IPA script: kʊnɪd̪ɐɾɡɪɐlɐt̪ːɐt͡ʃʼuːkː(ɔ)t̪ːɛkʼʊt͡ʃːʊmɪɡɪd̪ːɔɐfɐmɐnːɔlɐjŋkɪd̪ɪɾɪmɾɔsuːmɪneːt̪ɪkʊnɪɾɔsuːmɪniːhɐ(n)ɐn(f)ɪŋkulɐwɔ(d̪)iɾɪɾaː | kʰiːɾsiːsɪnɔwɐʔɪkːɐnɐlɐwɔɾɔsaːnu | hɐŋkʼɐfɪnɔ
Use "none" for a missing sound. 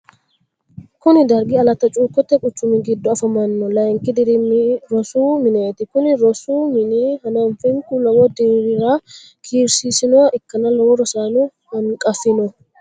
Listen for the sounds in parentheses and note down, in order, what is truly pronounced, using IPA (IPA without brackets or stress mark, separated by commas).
ɔ, n, f, d̪